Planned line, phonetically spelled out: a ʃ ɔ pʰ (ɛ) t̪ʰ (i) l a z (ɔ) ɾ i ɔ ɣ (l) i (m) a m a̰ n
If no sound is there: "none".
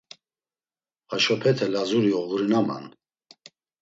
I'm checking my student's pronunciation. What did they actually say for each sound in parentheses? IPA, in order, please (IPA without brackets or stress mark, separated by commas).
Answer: ɛ, ɛ, u, ɾ, n